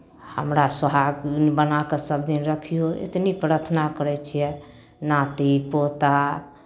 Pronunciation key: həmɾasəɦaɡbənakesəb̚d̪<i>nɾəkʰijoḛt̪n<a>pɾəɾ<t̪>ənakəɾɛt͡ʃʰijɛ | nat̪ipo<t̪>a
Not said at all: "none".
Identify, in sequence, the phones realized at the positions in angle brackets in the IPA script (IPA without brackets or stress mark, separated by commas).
i, i, t̪ʰ, t̪